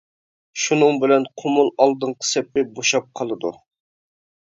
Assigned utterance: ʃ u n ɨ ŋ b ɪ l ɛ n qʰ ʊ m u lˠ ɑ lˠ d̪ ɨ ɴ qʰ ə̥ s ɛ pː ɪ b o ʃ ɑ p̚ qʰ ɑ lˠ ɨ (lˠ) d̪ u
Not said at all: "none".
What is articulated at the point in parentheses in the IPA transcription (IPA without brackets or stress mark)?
none